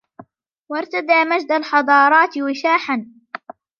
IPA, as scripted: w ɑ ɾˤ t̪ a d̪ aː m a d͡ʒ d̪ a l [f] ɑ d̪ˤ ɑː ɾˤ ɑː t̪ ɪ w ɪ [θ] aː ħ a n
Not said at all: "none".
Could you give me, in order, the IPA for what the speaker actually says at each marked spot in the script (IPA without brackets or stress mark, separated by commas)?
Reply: ħ, ʃ